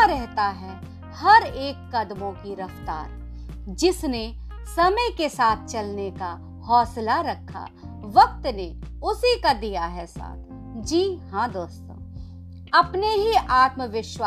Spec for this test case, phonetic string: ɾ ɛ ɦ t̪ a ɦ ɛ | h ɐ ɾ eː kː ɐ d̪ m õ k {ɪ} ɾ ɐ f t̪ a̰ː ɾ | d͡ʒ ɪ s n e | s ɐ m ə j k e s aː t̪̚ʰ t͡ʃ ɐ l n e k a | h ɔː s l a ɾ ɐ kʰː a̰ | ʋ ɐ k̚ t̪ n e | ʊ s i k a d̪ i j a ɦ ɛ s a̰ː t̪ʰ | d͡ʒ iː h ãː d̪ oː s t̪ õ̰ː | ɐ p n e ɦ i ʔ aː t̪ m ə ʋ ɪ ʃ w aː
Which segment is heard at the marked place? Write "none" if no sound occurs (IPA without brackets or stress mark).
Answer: i